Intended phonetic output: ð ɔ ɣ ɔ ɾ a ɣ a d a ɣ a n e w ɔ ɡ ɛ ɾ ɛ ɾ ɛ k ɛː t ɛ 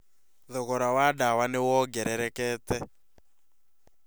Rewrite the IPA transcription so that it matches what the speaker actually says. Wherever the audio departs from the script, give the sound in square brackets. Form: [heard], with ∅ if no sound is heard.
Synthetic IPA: ð ɔ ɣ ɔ ɾ a [w] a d a [w] a n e w ɔ ɡ ɛ ɾ ɛ ɾ ɛ k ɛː t ɛ